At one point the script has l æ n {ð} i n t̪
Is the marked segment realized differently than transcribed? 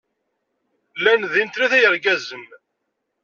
no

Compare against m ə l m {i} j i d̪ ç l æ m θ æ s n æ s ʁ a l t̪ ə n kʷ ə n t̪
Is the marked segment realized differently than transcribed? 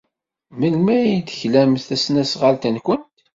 yes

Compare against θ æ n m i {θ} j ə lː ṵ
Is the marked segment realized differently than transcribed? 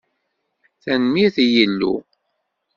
no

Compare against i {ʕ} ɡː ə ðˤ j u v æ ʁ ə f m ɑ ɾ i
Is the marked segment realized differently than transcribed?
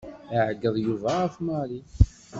no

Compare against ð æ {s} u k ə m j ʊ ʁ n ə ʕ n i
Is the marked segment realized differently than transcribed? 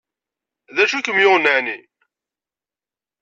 yes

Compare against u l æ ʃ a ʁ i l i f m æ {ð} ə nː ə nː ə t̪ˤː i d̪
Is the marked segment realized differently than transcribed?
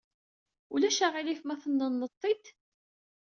yes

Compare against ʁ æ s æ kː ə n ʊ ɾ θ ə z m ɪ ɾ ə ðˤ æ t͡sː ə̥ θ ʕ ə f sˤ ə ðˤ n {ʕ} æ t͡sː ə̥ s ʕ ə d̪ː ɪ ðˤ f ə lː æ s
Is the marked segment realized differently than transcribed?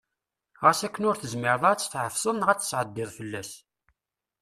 yes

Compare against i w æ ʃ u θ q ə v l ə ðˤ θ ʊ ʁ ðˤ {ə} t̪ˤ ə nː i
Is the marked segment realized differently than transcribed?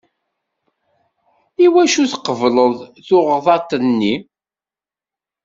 yes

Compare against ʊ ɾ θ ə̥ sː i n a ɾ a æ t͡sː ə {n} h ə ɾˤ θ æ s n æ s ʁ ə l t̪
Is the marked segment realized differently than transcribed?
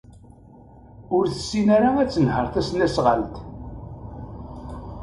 no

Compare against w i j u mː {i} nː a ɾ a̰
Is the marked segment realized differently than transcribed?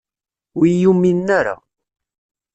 no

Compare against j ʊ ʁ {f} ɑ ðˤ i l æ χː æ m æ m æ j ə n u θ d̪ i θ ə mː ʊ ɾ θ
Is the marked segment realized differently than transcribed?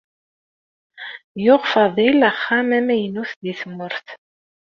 no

